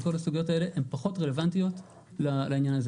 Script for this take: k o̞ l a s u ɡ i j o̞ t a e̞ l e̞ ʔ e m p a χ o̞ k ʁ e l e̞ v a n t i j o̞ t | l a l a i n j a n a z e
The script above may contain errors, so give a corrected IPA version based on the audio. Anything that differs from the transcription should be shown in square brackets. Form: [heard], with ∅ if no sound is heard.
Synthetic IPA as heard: k o̞ l a s u ɡ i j o̞ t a e̞ l e̞ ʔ e m p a χ o̞ [t] ʁ e l e̞ v a n t i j o̞ t | l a l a i n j a n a z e